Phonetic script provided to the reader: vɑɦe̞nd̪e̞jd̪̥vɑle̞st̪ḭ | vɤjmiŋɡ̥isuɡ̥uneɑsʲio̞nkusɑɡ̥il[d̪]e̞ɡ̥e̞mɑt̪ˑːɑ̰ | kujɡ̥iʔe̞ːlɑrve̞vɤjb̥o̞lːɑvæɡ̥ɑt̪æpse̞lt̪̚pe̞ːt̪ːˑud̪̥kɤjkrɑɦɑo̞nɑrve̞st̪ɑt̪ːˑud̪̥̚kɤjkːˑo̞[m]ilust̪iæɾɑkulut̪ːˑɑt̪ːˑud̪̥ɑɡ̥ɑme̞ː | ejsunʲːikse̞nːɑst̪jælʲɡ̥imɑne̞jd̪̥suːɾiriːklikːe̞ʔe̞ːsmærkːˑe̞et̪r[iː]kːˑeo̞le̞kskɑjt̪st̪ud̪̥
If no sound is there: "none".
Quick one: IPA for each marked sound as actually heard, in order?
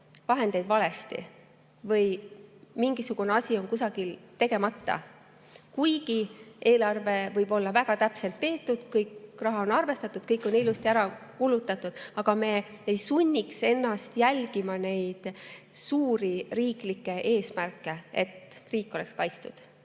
t̪, n, iː

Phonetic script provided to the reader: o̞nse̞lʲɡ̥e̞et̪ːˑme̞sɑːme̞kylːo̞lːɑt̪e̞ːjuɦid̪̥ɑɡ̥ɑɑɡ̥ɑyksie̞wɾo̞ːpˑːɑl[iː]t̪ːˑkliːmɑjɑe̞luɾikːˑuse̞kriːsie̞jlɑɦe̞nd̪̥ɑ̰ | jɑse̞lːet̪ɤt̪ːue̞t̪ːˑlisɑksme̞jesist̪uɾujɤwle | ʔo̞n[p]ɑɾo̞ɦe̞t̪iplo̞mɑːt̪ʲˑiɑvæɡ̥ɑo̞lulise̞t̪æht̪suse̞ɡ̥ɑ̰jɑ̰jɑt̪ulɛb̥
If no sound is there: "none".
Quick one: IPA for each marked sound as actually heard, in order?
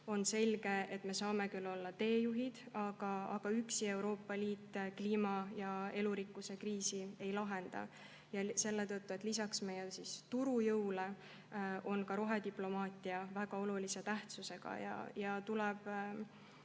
iː, k

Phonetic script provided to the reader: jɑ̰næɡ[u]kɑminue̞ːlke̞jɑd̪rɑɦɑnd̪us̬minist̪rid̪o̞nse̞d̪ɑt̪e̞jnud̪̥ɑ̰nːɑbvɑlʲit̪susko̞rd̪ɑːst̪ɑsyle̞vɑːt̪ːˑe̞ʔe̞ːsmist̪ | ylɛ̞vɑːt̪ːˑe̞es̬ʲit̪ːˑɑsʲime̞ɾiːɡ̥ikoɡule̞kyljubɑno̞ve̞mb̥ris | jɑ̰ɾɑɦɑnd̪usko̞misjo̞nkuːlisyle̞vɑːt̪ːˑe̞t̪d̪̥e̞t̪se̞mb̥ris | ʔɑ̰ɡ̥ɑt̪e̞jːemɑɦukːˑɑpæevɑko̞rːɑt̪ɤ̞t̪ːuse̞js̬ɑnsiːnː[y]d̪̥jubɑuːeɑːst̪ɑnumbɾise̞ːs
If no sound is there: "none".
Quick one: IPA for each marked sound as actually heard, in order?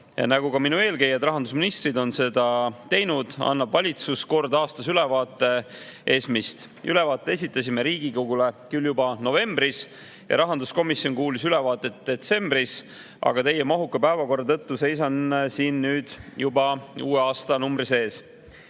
u, yː

